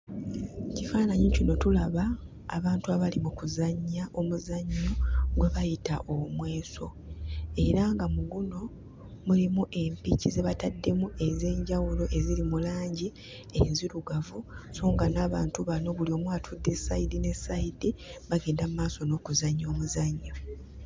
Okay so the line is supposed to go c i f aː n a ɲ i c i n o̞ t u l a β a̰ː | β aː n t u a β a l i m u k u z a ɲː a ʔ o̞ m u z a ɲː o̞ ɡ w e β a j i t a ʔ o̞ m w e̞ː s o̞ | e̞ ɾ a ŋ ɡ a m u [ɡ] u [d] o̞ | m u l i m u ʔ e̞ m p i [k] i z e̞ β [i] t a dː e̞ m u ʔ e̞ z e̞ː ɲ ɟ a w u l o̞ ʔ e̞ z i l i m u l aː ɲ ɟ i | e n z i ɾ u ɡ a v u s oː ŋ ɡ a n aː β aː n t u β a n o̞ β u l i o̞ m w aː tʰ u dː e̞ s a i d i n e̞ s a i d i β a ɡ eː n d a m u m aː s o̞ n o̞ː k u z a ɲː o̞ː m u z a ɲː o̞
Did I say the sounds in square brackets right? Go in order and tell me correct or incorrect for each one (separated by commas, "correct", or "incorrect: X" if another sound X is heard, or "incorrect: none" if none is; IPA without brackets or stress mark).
correct, incorrect: n, incorrect: c, incorrect: a